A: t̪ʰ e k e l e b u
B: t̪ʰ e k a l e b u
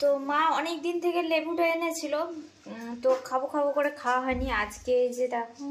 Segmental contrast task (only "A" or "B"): A